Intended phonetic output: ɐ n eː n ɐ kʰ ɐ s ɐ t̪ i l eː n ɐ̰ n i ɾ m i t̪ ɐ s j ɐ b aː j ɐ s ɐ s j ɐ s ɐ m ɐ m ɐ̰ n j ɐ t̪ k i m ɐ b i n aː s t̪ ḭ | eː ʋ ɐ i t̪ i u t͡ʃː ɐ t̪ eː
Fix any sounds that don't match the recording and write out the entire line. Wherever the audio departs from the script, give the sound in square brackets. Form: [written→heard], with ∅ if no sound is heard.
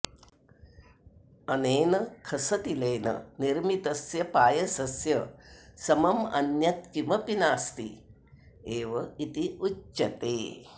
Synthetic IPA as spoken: ɐ n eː n ɐ kʰ ɐ s ɐ t̪ i l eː n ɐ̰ n i ɾ m i t̪ ɐ s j ɐ [b→p] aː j ɐ s ɐ s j ɐ s ɐ m ɐ m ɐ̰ n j ɐ t̪ k i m ɐ [b→p] i n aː s t̪ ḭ | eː ʋ ɐ i t̪ i u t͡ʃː ɐ t̪ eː